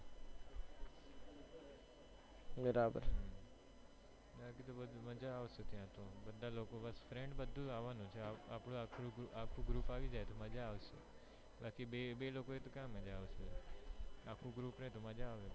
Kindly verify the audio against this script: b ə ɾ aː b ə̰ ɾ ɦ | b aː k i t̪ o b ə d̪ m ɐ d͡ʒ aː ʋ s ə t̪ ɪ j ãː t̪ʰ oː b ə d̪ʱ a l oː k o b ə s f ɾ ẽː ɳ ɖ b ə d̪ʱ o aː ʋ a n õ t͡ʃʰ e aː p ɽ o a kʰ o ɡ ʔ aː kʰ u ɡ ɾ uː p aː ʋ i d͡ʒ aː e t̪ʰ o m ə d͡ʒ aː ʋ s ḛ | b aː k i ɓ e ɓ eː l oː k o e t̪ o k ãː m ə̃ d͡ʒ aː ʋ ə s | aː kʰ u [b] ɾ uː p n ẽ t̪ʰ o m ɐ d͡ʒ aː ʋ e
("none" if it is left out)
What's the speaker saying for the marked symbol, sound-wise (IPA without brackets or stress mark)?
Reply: ɡ